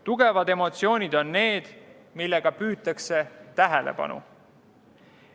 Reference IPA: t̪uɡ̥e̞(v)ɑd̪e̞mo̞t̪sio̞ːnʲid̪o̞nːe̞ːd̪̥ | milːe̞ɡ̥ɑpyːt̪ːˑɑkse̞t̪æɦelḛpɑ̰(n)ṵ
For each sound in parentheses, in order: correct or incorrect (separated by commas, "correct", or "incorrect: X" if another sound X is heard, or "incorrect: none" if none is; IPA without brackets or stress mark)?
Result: correct, correct